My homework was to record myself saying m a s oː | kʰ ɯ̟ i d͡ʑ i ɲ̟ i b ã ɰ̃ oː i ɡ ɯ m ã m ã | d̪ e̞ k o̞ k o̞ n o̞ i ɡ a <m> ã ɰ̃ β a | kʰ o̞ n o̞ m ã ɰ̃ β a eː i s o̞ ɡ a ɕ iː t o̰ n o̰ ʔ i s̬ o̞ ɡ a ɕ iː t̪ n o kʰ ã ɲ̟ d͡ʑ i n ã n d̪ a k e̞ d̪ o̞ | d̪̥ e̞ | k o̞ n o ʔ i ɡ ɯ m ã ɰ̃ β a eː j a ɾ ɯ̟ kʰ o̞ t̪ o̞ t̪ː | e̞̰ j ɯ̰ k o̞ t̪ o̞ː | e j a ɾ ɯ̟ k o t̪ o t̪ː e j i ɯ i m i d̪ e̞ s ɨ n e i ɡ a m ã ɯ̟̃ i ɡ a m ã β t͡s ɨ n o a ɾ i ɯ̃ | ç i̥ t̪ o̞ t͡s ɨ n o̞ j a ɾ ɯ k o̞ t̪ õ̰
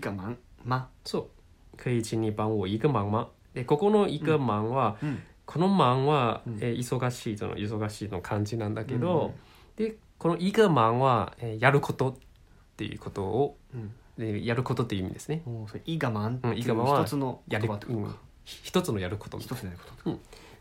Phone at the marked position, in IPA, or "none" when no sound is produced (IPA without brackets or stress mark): m